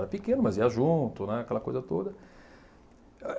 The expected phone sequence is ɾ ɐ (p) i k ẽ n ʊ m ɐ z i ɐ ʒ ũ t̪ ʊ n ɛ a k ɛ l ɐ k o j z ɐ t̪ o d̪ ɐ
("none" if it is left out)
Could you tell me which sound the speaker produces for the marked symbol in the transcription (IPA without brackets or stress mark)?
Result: p